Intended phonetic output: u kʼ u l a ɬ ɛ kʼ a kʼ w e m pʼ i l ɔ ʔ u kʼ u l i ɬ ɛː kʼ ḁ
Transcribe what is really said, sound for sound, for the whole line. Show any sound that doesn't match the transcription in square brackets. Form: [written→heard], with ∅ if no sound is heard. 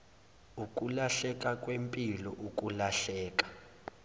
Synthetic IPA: u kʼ u l a ɬ ɛ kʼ a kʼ w e m pʼ i l ɔ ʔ u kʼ u l [i→a] ɬ ɛː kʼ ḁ